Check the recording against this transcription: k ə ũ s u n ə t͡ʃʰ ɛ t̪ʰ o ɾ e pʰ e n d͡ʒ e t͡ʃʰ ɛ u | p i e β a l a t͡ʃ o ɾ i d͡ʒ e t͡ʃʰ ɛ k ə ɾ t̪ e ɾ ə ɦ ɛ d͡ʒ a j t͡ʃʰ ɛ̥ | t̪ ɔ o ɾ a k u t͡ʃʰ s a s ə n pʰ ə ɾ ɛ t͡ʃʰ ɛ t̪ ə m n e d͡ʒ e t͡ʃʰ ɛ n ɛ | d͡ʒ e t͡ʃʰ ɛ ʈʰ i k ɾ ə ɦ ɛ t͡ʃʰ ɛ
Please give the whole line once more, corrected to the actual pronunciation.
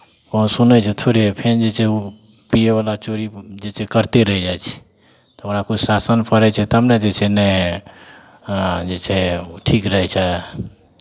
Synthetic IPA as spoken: k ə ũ s u n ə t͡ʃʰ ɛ t̪ʰ o ɾ e pʰ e n d͡ʒ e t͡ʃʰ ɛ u | p i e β a l a t͡ʃ o ɾ i d͡ʒ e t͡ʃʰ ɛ k ə ɾ t̪ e ɾ ə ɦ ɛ d͡ʒ a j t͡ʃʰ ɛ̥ | t̪ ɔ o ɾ a k u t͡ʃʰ s a s ə n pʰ ə ɾ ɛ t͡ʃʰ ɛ t̪ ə m n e d͡ʒ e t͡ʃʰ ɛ n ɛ | d͡ʒ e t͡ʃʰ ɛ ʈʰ i k ɾ ə ɦ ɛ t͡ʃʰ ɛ